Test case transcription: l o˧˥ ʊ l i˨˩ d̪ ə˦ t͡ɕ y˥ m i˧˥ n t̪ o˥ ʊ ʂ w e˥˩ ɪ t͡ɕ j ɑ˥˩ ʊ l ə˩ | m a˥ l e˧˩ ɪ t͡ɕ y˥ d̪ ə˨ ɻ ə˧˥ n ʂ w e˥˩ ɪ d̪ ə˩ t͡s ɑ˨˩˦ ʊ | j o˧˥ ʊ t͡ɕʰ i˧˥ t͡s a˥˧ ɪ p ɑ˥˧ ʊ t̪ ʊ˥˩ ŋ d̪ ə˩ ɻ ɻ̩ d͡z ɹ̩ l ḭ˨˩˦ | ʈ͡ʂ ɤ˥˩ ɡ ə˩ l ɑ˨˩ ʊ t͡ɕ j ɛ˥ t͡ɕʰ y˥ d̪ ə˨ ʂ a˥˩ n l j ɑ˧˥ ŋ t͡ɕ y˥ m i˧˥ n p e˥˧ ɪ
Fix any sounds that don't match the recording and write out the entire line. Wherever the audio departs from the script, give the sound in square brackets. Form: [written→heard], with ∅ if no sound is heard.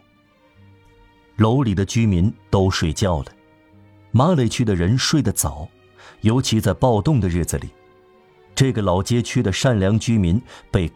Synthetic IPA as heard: l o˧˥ ʊ l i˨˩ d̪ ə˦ t͡ɕ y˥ m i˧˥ n t̪ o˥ ʊ ʂ w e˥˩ ɪ t͡ɕ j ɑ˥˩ ʊ l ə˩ | m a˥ l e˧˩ ɪ [t͡ɕ→t͡ɕʰ] y˥ d̪ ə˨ ɻ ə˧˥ n ʂ w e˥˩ ɪ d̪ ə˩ t͡s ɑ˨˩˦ ʊ | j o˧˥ ʊ t͡ɕʰ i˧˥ t͡s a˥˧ ɪ p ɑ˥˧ ʊ t̪ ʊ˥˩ ŋ d̪ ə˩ ɻ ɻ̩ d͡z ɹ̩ l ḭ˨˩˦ | ʈ͡ʂ ɤ˥˩ ɡ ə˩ l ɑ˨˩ ʊ t͡ɕ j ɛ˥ t͡ɕʰ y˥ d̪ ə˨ ʂ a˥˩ n l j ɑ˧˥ ŋ t͡ɕ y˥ m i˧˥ n p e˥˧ ɪ